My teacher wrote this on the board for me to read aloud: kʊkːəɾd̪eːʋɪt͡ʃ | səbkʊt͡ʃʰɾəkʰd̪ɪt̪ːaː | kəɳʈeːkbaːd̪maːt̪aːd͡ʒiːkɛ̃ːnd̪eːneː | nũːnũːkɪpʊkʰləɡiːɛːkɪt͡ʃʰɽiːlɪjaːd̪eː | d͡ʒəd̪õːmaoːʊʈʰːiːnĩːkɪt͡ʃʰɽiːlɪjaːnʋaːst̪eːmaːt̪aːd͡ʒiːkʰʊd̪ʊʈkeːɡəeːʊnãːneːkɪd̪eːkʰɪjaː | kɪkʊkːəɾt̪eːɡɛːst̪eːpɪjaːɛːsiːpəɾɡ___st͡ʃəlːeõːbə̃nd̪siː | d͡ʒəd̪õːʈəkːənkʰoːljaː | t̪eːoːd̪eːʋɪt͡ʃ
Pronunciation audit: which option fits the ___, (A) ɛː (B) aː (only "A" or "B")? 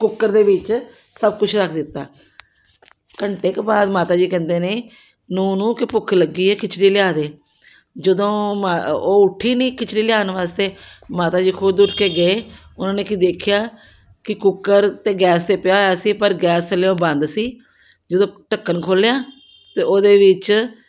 A